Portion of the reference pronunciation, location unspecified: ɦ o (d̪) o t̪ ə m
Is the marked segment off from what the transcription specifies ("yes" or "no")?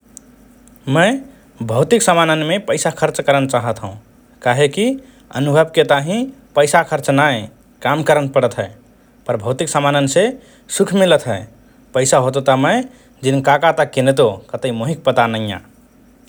yes